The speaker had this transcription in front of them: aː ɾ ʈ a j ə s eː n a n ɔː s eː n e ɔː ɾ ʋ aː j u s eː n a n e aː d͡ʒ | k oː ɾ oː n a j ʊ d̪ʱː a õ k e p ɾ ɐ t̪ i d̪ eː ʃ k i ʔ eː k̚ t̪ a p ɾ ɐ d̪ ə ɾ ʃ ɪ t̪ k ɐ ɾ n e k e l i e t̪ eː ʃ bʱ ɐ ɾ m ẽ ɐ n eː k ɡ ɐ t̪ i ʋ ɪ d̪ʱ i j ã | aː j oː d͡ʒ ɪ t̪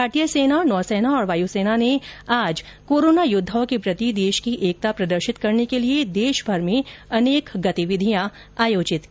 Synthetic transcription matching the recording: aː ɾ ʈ i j ə s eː n a n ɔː s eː n a ɔː ɾ ʋ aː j u s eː n a n e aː d͡ʒ | k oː ɾ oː n a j ʊ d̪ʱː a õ k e p ɾ ɐ t̪ i d̪ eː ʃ k i ʔ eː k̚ t̪ a p ɾ ɐ d̪ ə ɾ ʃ ɪ t̪ k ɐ ɾ n e k e l i e d̪ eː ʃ bʱ ɐ ɾ m ẽ ɐ n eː k ɡ ɐ t̪ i ʋ ɪ d̪ʱ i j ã | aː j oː d͡ʒ ɪ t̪